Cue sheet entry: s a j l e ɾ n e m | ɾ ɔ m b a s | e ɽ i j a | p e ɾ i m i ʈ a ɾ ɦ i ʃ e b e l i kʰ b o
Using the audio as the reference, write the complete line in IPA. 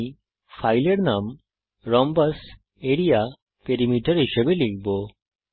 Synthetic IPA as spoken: f a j l e ɾ n a m | ɾ ɔ m b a s | e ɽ i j a | p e ɾ i m i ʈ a ɾ ɦ i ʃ e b e l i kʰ b o